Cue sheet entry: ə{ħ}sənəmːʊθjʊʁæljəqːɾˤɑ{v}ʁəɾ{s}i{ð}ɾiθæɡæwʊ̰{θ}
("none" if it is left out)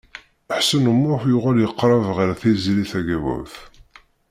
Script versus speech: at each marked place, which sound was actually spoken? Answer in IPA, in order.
ħ, v, θ, z, θ

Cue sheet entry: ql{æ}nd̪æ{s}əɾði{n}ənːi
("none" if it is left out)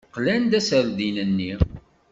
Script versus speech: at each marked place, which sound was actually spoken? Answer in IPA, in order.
æ, s, n

